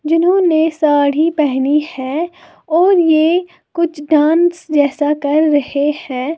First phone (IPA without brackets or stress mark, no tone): d͡ʒ